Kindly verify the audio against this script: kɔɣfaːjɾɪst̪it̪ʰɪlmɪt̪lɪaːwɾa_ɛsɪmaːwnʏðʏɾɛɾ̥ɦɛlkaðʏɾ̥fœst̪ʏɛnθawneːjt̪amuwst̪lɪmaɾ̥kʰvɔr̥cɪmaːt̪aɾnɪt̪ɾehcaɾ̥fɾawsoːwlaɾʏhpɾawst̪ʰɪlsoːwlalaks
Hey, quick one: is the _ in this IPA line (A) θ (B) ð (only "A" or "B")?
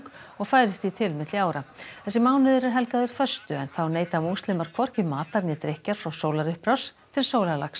A